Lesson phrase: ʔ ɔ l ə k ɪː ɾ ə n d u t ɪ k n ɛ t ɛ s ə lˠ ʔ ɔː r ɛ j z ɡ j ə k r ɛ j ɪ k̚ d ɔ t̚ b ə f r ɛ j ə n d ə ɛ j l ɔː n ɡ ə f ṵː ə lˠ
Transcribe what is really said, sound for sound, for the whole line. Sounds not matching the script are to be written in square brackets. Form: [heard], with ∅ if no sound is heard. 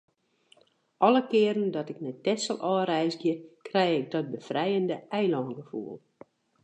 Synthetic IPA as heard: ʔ ɔ l ə k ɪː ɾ ə n d [ɔ] t ɪ k n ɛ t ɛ s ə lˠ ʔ ɔː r ɛ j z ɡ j ə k r ɛ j ɪ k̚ d ɔ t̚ b ə f r ɛ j ə n d ə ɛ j l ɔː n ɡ ə f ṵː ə lˠ